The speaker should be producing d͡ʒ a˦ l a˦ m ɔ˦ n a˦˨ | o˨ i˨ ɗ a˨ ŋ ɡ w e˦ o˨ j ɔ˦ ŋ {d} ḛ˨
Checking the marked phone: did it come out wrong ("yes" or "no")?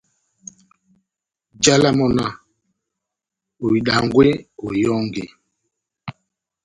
yes